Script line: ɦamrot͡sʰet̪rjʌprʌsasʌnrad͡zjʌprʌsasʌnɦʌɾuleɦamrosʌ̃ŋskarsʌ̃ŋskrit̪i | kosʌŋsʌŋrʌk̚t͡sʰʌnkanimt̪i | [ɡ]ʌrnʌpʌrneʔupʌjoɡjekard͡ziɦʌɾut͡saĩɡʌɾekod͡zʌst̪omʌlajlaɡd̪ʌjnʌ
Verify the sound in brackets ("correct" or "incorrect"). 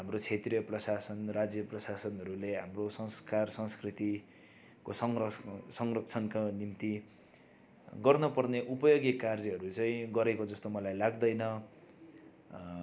correct